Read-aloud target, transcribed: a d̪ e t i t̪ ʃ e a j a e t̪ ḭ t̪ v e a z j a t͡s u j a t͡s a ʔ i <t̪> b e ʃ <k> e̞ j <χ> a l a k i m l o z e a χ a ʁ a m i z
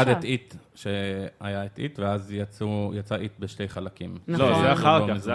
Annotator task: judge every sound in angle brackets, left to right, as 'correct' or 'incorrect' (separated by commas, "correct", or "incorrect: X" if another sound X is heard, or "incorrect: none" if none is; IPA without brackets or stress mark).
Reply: correct, incorrect: t, correct